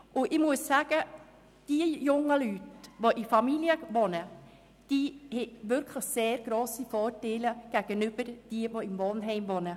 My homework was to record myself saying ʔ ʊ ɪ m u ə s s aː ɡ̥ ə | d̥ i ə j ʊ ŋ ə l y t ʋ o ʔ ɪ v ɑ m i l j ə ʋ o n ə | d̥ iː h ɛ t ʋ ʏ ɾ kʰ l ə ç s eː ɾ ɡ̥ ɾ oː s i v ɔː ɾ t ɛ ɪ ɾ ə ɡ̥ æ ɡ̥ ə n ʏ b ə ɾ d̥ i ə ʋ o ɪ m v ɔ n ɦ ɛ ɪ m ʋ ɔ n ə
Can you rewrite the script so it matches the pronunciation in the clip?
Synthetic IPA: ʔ ʊ ɪ m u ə s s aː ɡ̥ ə | d̥ i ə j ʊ ŋ ə l y t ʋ o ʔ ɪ f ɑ m i l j ə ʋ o n ə | d̥ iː h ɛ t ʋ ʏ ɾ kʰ l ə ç s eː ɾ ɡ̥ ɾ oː s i f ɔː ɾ t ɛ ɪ l ə ɡ̥ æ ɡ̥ ə n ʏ b ə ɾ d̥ i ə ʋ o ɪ m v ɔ n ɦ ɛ ɪ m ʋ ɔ n ə